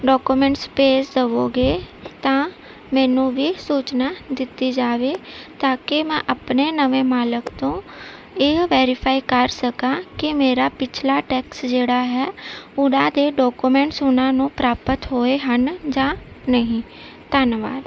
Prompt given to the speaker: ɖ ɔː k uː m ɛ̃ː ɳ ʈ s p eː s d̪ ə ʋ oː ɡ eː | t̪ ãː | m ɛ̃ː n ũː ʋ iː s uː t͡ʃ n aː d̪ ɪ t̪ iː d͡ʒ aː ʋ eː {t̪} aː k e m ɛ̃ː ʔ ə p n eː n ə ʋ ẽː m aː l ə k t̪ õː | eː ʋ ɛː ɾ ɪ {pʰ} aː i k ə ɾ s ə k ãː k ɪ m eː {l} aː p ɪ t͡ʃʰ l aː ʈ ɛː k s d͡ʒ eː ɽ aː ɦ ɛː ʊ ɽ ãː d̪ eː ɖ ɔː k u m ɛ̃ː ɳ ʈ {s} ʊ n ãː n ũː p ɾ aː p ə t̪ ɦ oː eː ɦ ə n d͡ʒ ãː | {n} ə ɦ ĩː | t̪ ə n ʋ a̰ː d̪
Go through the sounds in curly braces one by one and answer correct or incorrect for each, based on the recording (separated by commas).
correct, correct, incorrect, correct, correct